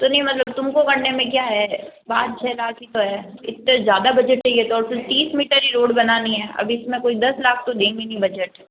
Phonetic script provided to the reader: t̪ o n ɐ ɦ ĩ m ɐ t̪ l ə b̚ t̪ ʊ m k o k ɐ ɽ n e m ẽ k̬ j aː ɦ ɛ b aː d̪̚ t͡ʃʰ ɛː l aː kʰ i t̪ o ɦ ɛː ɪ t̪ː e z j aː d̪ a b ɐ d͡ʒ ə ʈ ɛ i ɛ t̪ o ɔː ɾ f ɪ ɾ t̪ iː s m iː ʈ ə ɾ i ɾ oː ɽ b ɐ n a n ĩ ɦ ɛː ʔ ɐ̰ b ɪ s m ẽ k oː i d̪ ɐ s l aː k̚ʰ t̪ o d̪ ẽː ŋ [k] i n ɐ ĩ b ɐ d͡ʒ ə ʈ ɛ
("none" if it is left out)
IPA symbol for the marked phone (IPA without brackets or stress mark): ɡ